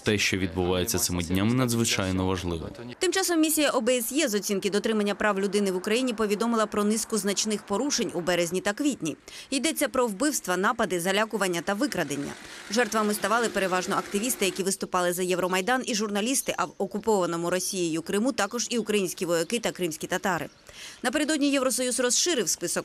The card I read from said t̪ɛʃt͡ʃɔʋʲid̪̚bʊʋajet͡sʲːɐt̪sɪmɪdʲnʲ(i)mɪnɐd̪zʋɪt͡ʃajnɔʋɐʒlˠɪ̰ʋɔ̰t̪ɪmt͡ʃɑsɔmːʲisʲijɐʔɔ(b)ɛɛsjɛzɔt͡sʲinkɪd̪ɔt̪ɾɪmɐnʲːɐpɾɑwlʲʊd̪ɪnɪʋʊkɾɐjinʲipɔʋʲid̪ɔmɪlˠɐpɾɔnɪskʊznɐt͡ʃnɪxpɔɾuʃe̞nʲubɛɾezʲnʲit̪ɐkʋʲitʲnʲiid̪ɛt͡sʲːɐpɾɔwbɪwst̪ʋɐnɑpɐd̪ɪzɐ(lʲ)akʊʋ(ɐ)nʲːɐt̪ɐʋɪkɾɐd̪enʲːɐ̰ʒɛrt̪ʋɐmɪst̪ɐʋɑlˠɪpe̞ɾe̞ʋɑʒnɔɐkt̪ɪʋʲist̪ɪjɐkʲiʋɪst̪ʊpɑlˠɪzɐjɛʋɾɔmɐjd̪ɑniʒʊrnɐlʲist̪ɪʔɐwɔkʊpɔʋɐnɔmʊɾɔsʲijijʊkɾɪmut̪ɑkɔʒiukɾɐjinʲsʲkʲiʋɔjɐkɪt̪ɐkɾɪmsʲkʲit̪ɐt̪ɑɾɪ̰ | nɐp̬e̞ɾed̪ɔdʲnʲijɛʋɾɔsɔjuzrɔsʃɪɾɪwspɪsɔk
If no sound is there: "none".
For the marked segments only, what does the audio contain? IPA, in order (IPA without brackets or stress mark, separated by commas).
a, b, lʲ, ɐ